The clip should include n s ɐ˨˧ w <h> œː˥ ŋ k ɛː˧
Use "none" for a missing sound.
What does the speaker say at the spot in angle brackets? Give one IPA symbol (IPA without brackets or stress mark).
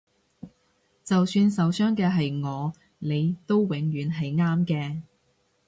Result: s